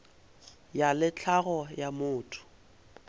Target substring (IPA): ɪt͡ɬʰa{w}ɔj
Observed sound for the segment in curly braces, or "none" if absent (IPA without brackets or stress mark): ɣ